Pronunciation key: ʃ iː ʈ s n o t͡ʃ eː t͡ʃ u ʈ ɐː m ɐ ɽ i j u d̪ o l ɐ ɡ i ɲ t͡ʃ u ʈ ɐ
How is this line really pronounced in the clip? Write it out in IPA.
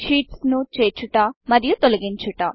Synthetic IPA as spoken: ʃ iː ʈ s n u t͡ʃ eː t͡ʃ u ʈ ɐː m ɐ ɾ i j u t̪ o l ɐ ɡ i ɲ t͡ʃ u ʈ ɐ

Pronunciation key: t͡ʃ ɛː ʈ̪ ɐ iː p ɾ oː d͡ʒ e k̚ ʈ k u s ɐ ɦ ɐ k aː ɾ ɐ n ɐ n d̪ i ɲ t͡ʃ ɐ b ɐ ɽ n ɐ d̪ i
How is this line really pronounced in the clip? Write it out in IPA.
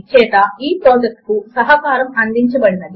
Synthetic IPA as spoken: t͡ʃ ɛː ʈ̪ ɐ iː p ɾ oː d͡ʒ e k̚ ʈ k u s ɐ ɦ ɐ k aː ɾ ɐ m ɐ n d̪ i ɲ t͡ʃ ɐ b ɐ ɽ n ɐ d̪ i

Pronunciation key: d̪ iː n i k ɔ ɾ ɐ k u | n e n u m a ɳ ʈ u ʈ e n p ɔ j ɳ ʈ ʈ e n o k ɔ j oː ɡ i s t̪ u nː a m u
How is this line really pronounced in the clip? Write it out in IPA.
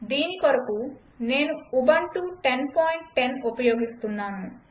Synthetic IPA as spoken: d̪ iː n i k ɔ ɾ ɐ k u | n e n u b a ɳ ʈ u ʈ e n p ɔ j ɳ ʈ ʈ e n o p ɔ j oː ɡ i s t̪ u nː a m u

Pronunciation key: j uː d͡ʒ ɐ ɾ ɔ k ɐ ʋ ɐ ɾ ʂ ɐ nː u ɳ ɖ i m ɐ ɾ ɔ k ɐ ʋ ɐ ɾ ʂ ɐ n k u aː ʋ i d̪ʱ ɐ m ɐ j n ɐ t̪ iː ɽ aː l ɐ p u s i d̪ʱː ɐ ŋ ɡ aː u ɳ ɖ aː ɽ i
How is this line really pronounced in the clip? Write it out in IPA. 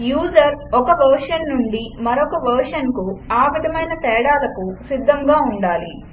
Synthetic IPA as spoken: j uː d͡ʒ ɐ ɾ ɔ k ɐ ʋ ɐ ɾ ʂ ɐ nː u ɳ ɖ i m ɐ ɾ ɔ k ɐ ʋ ɐ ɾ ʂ ɐ n k u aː ʋ i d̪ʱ ɐ m ɐ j n ɐ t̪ ɛː ɽ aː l ɐ k u s i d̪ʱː ɐ ŋ ɡ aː u ɳ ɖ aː l i

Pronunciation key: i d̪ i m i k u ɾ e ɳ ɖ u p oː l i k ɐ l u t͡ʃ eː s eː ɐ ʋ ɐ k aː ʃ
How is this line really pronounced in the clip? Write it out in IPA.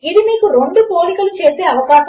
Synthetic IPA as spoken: i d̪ i m iː k u ɾ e ɳ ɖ u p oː l i k ɐ l u t͡ʃ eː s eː ɐ ʋ ɐ k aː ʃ

